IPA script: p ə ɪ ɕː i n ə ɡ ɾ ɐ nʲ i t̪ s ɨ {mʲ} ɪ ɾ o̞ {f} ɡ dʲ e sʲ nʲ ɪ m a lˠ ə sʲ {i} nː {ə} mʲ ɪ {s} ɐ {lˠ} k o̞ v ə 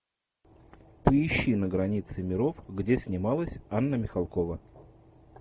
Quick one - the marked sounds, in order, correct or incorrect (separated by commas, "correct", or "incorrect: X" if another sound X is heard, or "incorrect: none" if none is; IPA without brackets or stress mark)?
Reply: correct, correct, incorrect: a, correct, incorrect: x, correct